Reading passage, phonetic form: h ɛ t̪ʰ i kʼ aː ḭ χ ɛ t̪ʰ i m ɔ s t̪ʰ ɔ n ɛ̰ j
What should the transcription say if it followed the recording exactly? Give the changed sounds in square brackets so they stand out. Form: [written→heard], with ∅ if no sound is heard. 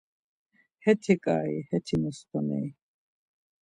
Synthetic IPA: h ɛ t̪ʰ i kʼ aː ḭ [χ→h] ɛ t̪ʰ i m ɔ s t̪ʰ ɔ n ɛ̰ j